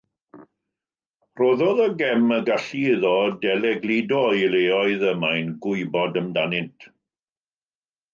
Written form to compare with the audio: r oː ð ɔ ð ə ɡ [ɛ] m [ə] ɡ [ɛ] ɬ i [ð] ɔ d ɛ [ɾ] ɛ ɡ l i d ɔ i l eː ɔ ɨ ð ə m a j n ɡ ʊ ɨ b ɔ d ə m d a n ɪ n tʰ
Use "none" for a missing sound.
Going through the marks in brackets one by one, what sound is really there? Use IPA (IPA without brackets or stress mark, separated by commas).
ɛ, ə, a, ð, l